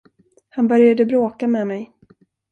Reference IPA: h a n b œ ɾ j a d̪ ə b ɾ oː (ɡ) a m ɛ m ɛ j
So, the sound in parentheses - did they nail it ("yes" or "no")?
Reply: no